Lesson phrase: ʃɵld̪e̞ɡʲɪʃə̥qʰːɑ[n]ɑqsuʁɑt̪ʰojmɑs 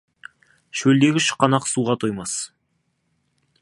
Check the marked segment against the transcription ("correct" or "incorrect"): correct